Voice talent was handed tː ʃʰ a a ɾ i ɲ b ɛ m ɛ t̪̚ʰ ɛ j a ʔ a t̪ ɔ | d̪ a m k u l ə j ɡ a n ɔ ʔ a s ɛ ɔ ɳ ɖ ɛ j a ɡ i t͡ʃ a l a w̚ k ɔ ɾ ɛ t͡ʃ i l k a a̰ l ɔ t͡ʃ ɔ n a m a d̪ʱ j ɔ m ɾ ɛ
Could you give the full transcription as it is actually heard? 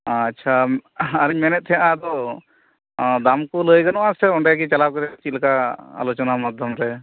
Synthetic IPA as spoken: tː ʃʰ a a ɾ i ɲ m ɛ n ɛ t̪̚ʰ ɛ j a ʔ a d̪ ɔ | d̪ a m k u l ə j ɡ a n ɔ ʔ a s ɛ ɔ ɳ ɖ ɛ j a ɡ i t͡ʃ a l a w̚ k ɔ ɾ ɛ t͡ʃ i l k a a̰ l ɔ t͡ʃ ɔ n a m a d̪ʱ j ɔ m ɾ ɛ